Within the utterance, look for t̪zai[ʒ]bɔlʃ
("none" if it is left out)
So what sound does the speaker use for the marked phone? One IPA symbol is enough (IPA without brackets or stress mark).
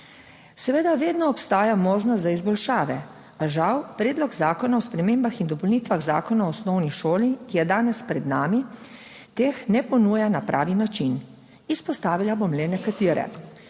z